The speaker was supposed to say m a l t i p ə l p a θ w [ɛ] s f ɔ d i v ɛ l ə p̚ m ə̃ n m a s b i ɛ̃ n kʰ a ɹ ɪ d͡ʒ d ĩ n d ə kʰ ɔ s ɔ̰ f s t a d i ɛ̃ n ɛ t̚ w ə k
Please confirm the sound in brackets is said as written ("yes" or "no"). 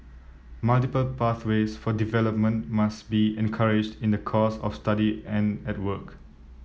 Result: no